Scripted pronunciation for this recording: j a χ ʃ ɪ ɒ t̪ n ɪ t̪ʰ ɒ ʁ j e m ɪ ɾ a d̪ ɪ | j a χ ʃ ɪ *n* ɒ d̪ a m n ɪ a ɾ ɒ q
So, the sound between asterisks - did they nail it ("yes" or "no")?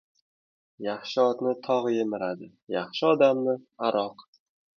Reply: no